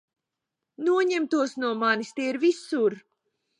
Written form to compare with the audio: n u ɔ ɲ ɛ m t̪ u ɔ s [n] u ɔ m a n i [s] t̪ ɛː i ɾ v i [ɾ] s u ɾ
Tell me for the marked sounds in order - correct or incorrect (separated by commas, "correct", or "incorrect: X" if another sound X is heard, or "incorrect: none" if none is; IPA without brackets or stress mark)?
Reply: correct, correct, incorrect: none